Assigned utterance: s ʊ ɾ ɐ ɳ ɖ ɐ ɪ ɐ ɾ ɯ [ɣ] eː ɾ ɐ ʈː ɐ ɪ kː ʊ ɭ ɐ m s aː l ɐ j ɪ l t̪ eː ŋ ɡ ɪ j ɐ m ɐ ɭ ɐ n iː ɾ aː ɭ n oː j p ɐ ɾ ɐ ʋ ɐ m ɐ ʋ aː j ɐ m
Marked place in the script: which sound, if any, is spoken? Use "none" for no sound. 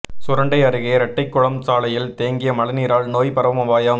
ɣ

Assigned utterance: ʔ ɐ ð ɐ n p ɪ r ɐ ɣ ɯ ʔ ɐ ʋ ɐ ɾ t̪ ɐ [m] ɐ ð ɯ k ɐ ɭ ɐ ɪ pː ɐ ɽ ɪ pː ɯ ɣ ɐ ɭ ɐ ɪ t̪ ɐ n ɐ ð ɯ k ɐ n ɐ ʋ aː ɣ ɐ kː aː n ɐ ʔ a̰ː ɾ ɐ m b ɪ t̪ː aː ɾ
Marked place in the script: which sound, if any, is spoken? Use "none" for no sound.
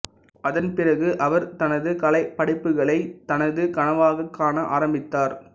n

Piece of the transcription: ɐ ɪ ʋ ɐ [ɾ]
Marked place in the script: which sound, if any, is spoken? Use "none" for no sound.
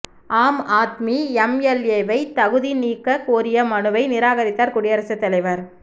ɾ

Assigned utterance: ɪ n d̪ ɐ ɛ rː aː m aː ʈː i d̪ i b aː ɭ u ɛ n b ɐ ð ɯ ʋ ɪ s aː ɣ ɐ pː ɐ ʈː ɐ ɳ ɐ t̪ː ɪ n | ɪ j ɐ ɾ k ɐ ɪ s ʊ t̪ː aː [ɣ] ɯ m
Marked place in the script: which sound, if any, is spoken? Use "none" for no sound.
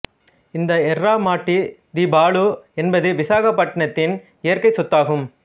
ɣ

